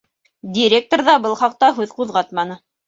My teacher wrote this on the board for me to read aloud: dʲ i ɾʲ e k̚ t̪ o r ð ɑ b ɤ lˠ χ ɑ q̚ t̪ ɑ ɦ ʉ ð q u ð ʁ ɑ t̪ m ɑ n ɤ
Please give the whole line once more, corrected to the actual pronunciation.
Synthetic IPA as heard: dʲ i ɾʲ e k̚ t̪ o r ð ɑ b ɤ lˠ χ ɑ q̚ t̪ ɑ ɦ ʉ ð q u ð ʁ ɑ t̪ m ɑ n ɤ